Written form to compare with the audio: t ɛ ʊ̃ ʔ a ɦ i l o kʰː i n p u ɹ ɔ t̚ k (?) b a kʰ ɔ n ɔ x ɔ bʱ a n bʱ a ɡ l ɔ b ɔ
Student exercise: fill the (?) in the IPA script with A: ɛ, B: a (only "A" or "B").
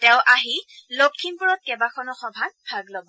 A